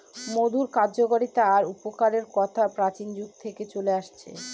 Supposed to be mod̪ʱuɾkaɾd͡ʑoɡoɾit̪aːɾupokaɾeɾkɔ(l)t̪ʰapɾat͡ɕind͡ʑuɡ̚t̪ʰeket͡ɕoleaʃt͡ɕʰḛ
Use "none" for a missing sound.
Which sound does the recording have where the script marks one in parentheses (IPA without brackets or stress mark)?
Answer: none